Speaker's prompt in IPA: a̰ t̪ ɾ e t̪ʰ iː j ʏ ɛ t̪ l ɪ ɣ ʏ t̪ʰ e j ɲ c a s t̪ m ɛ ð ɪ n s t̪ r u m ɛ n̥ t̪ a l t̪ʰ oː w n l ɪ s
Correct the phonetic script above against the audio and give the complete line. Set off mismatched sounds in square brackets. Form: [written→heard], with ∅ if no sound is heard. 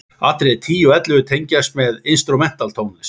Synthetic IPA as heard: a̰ t̪ ɾ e t̪ʰ iː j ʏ ɛ t̪ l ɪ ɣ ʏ t̪ʰ e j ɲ c a s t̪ m ɛ ð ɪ n s t̪ [r→ɾ] u m ɛ n̥ t̪ a l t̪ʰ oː w n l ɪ s